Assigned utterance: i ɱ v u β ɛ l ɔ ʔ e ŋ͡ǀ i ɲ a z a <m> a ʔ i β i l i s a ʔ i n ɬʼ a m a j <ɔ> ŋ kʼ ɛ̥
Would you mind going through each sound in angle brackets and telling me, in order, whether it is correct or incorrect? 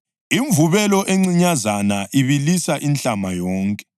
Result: incorrect, incorrect

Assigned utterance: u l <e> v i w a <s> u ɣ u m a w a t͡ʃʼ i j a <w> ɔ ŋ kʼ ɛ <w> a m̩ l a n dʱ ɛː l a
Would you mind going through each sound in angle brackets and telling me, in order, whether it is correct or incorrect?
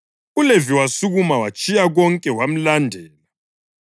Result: correct, correct, incorrect, correct

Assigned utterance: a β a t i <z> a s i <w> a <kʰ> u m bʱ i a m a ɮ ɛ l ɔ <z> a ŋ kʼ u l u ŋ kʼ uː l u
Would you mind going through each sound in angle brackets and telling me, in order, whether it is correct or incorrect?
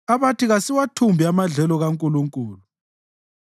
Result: incorrect, correct, incorrect, incorrect

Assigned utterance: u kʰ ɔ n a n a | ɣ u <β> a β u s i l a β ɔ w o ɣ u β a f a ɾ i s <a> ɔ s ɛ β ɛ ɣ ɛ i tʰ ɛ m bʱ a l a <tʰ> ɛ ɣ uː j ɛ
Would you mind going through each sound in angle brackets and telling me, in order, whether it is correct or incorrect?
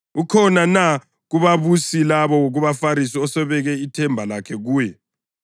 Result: correct, incorrect, incorrect

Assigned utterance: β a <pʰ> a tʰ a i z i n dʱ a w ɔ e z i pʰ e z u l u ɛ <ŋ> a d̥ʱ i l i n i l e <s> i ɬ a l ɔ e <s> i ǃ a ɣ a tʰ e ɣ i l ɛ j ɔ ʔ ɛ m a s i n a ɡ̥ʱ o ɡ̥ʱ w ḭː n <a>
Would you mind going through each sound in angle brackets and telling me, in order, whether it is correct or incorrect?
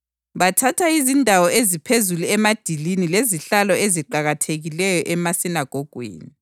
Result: incorrect, incorrect, incorrect, incorrect, incorrect

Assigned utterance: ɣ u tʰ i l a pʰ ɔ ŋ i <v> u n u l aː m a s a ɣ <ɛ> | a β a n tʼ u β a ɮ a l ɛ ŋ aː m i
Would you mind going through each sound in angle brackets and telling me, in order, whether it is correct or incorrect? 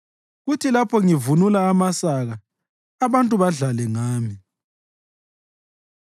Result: correct, incorrect

